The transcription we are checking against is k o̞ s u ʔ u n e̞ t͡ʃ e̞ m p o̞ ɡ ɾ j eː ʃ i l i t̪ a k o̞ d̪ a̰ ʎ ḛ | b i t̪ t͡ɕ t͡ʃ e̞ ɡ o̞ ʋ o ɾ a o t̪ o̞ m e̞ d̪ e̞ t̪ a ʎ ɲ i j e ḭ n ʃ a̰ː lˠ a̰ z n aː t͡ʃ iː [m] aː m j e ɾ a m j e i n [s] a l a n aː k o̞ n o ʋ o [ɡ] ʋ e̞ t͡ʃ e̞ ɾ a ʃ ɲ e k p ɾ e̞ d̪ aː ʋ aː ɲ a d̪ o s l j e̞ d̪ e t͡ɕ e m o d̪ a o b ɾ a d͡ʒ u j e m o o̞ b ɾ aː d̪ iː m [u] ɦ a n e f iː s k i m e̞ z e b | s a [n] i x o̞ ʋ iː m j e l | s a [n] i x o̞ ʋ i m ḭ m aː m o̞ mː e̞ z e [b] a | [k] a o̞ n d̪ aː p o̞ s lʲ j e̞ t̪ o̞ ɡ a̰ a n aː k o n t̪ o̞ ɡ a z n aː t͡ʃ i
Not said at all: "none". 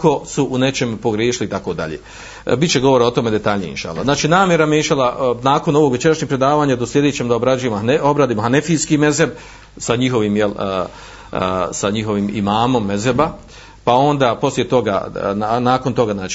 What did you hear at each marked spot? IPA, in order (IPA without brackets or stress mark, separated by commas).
n, ʃ, ɡ, o, ɲ, ɲ, b, p